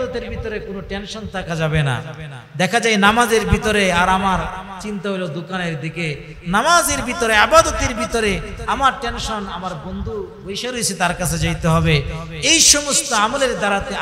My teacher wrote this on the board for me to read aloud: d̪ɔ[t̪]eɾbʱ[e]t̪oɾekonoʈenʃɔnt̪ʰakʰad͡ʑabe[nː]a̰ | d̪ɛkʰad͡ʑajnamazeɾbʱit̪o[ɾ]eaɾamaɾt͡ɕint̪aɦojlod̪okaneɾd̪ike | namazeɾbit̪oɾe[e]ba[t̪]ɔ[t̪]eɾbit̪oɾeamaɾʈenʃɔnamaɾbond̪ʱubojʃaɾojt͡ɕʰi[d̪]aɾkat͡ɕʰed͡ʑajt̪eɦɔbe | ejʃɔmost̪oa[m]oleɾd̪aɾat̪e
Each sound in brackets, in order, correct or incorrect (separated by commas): correct, incorrect, incorrect, correct, incorrect, incorrect, correct, incorrect, correct